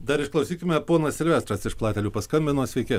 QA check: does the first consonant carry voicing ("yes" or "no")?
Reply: yes